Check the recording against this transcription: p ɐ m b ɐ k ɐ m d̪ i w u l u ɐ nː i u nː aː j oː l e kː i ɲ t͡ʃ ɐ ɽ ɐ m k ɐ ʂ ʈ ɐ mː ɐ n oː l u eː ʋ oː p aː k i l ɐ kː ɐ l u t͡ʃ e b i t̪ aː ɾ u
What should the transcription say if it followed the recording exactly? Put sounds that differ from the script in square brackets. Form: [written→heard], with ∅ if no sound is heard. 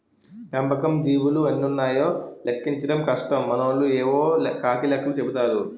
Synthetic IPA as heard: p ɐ m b ɐ k ɐ m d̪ [i→iː] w u l u ɐ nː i u nː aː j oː l e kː i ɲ t͡ʃ ɐ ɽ ɐ m k ɐ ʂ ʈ ɐ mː ɐ n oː l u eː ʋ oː [p→k] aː k i l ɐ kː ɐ l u t͡ʃ e b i t̪ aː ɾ u

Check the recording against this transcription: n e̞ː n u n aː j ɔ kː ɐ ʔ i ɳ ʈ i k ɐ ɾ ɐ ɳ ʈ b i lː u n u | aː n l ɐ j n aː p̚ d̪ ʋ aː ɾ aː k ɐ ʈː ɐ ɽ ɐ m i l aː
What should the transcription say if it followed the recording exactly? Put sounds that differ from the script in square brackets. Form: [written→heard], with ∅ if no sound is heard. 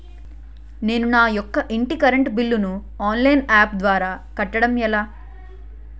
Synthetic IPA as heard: n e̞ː n u n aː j ɔ kː ɐ ʔ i ɳ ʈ i k ɐ ɾ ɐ ɳ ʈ b i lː u n u | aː n l ɐ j n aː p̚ d̪ ʋ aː ɾ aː k ɐ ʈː ɐ ɽ ɐ m [i→ɛ] l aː

